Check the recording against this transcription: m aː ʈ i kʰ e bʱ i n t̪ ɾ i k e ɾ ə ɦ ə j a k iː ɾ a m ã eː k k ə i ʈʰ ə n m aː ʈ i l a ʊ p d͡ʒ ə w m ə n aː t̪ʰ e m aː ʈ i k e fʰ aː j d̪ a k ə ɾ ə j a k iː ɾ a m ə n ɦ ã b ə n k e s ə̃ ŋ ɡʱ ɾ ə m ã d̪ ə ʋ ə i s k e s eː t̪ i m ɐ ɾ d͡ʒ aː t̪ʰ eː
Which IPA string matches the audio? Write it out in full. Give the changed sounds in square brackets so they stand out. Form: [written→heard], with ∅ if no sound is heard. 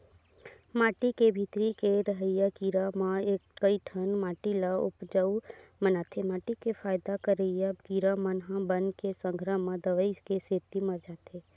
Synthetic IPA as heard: m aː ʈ i [kʰ→k] e bʱ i [n→∅] t̪ ɾ i k e ɾ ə ɦ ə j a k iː ɾ a m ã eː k k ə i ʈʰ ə n m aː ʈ i l a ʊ p d͡ʒ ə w m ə n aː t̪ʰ e m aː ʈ i k e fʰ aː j d̪ a k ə ɾ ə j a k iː ɾ a m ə n ɦ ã b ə n k e s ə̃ ŋ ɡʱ ɾ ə m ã d̪ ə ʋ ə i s k e s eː t̪ i m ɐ ɾ d͡ʒ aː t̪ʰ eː